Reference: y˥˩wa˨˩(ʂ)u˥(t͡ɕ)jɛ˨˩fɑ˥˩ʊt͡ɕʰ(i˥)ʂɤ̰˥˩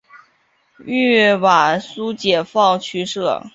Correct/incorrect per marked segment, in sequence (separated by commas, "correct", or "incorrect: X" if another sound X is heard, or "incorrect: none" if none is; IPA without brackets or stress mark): incorrect: s, correct, incorrect: y˥